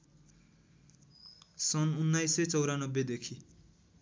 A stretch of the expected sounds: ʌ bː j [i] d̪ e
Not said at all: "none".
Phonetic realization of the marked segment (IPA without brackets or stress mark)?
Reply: e